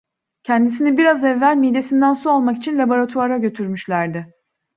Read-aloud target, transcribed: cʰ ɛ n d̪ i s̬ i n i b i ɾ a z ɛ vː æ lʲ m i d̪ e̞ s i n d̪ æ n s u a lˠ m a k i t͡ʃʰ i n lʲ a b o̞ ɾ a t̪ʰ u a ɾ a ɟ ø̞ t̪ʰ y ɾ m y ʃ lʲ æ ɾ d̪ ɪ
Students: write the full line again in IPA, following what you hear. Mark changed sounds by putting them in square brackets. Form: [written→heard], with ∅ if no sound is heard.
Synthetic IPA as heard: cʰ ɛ n d̪ i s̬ i n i b i ɾ a z ɛ vː æ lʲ m i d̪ e̞ s i n d̪ æ n s u a lˠ m a k i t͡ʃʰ i n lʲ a b o̞ ɾ a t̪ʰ u a ɾ a ɟ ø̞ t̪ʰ y ɾ m y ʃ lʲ æ ɾ d̪ ɪ

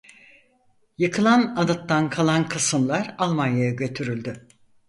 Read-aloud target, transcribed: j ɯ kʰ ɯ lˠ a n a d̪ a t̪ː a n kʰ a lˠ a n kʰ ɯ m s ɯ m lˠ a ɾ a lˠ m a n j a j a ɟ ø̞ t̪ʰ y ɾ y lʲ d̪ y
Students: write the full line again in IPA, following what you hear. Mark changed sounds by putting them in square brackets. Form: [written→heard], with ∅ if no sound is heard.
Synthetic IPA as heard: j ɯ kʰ ɯ lˠ a n a d̪ a t̪ː a n kʰ a lˠ a n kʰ ɯ [m→∅] s ɯ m lˠ a ɾ a lˠ m a n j a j a ɟ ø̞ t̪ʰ y ɾ y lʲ d̪ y

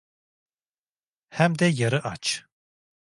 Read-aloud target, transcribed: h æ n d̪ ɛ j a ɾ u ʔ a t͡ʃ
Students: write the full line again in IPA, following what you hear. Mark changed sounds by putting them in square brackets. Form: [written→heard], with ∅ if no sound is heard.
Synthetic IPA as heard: h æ [n→m] d̪ ɛ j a ɾ [u→ɯ] ʔ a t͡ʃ

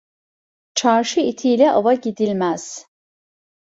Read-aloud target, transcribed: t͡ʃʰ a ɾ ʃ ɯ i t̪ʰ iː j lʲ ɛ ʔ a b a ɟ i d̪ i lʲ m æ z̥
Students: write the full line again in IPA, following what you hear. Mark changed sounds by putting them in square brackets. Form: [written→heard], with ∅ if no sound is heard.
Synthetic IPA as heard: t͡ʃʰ a ɾ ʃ ɯ i t̪ʰ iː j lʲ ɛ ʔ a [b→v] a ɟ i d̪ i lʲ m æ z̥

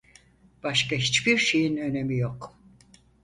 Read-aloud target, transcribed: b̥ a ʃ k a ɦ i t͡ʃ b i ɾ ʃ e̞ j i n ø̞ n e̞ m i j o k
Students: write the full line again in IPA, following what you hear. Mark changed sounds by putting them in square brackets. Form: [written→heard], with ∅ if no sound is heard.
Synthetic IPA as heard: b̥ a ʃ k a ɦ i t͡ʃ b i ɾ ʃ e̞ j i n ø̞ n e̞ m i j o k

